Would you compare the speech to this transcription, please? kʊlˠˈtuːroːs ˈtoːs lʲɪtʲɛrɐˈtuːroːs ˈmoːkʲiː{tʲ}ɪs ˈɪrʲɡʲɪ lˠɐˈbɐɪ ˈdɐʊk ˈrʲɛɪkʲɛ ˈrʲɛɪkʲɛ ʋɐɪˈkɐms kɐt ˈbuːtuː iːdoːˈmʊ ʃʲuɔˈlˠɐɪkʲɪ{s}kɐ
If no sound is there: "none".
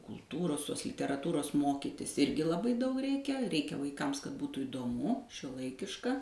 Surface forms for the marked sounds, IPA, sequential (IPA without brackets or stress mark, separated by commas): tʲ, ʃ